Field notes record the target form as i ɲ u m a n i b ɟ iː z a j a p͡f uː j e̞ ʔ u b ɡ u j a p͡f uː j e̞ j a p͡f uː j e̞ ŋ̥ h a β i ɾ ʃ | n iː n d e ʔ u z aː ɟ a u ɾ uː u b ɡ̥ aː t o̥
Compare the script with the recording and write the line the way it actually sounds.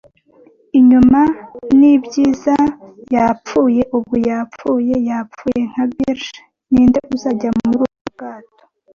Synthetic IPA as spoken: i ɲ u m a n i b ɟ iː z a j a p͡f uː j e̞ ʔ u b ɡ u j a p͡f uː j e̞ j a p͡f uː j e̞ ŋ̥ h a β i ɾ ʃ | n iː n d e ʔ u z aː ɟ a u ɾ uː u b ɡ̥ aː t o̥